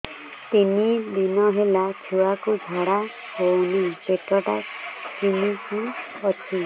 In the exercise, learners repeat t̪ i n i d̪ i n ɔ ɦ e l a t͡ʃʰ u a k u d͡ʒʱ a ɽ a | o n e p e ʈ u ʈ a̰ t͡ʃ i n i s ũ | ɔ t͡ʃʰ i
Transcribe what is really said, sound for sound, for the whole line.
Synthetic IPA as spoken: t̪ i n i d̪ i n ɔ ɦ e l a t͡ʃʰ u a k u d͡ʒʱ a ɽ a | o n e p e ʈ ɔ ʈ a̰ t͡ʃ i n i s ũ | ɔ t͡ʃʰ i